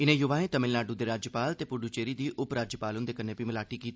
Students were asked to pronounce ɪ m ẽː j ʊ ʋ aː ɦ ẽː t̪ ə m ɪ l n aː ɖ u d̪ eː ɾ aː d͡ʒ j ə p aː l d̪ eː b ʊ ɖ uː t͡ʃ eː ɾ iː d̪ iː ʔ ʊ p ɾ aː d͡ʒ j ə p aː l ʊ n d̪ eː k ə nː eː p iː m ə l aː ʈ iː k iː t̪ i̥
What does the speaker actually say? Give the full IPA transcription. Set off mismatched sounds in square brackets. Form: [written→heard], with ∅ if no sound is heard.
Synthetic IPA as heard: ɪ [m→n] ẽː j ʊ ʋ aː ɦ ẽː t̪ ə m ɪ l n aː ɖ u d̪ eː ɾ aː d͡ʒ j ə p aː l [d̪→t̪] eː [b→p] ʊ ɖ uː t͡ʃ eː ɾ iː d̪ iː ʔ ʊ p ɾ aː d͡ʒ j ə p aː l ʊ n d̪ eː k ə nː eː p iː m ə l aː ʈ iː k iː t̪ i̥